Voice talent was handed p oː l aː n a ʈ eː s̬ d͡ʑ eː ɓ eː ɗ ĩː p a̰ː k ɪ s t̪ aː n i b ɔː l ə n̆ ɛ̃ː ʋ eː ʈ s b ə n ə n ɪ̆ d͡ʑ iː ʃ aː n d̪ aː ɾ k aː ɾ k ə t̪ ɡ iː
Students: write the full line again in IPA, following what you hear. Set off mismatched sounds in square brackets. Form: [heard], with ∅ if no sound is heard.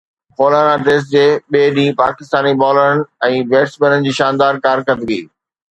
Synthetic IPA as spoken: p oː l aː n a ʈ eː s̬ d͡ʑ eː ɓ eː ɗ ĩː p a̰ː k ɪ s t̪ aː n i b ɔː l ə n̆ ɛ̃ː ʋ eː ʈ s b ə n ə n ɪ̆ d͡ʑ iː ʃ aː n d̪ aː ɾ k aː ɾ k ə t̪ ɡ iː